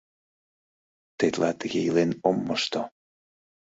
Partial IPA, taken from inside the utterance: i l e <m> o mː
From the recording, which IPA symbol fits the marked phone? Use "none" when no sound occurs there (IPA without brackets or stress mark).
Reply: n